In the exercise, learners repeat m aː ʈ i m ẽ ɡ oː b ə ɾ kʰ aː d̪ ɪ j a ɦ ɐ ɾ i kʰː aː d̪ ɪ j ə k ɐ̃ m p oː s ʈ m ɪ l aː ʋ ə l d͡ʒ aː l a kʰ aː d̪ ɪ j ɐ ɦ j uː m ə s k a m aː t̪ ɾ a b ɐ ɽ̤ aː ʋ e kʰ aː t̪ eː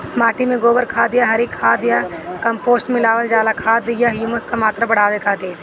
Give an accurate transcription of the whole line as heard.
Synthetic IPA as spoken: m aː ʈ i m ẽ ɡ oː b ə ɾ kʰ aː d̪ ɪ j a ɦ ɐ ɾ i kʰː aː d̪ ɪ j a k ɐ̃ m p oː s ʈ m ɪ l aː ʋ ə l d͡ʒ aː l a kʰ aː d̪ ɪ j a ɦ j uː m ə s k a m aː t̪ ɾ a b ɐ ɽ̤ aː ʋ e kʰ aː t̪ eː